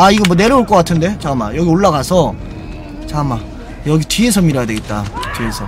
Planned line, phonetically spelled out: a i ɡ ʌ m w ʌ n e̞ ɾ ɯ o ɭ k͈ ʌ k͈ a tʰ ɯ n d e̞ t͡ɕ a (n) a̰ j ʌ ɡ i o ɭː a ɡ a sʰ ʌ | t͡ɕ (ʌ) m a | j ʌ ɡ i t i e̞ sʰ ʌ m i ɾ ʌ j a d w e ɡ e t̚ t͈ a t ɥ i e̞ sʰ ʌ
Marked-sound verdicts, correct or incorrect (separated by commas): incorrect, incorrect